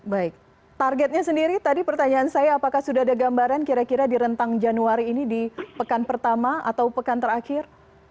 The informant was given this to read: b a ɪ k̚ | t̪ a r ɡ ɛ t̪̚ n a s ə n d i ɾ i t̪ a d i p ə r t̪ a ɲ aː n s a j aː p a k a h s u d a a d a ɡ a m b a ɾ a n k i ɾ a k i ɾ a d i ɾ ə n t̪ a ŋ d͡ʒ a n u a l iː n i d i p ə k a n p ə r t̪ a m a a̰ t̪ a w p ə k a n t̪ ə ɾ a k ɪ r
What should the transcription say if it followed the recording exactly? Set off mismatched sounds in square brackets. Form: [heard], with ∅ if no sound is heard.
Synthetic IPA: b a ɪ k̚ | t̪ a r ɡ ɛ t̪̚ [ɲ] a s ə n d i ɾ i t̪ a d i p ə r t̪ a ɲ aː n s a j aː p a k a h s u d a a d a ɡ a m b a ɾ a n k i ɾ a k i ɾ a d i ɾ ə n t̪ a ŋ d͡ʒ a n u a [ɾ] iː n i d i p ə k a n p ə r t̪ a m a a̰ t̪ a w p ə k a n t̪ ə ɾ a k ɪ r